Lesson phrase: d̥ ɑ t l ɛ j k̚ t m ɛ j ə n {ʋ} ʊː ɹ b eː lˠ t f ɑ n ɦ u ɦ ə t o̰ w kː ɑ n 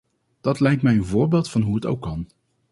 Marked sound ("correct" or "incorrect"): incorrect